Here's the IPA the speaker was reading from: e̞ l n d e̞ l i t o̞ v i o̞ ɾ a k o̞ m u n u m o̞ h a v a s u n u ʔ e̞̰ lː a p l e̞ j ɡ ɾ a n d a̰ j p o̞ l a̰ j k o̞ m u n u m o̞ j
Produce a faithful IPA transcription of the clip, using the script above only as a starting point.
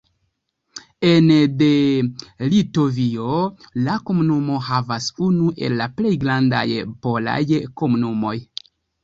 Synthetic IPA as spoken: e̞ n d e̞ l i t o̞ v i o̞ l a k o̞ m u n u m o̞ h a v a s u n u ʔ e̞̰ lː a p l e̞ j ɡ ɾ a n d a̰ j p o̞ l a̰ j k o̞ m u n u m o̞ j